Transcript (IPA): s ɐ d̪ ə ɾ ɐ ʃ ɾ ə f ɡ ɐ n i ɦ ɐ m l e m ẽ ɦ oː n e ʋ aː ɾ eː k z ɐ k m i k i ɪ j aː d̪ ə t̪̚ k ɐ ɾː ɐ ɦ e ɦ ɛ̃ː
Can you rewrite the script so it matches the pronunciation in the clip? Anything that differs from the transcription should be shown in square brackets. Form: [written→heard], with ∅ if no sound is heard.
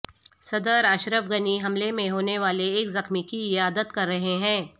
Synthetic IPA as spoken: s ɐ d̪ ə ɾ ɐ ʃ ɾ ə f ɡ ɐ n i ɦ ɐ m l e m ẽ ɦ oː n e ʋ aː [ɾ→l] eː k z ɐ [k→x] m i k i ɪ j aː d̪ ə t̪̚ k ɐ ɾː ɐ ɦ e ɦ ɛ̃ː